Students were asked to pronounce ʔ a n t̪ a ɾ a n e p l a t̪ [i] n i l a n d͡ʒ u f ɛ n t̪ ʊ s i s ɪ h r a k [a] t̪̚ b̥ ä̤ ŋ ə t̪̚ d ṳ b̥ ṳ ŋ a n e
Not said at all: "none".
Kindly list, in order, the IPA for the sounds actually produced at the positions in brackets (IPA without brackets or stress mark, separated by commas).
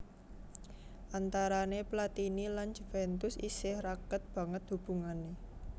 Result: i, ə